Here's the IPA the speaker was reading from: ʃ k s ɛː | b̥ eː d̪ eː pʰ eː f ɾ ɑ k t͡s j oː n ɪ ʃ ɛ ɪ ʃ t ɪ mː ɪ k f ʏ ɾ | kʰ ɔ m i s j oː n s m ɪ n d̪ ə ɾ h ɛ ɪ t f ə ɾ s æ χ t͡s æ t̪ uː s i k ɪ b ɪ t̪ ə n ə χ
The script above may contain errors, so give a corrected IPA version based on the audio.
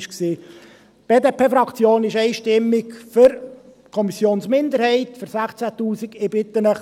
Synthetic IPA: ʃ k s iː | b̥ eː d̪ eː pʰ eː f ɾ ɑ k t͡s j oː n ɪ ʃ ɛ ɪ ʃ t ɪ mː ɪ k f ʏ ɾ | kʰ ɔ m i s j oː n s m ɪ n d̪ ə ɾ h ɛ ɪ t f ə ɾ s æ χ t͡s æ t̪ uː s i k ɪ b ɪ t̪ ə n ə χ